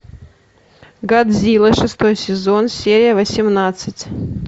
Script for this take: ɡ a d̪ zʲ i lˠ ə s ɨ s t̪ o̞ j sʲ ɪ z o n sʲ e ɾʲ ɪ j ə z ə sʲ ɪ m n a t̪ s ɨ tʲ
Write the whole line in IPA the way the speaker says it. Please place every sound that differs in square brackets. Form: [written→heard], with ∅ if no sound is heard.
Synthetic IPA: ɡ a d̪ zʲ i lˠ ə [s→ʂ] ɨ s t̪ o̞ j sʲ ɪ z o n sʲ e ɾʲ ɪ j ə [z→v] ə sʲ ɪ m n a t̪ s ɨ tʲ